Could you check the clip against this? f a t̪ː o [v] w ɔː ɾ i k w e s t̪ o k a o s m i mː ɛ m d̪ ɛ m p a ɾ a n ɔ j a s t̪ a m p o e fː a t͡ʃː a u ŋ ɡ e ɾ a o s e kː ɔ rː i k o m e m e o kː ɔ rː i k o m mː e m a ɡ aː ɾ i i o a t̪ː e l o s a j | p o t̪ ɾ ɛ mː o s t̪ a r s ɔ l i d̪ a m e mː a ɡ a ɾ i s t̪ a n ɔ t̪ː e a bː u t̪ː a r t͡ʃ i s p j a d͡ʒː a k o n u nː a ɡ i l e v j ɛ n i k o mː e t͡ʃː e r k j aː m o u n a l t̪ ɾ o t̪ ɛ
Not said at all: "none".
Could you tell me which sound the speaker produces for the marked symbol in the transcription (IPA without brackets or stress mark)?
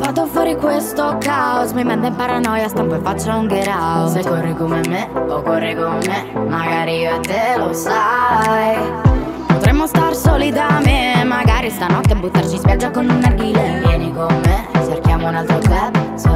f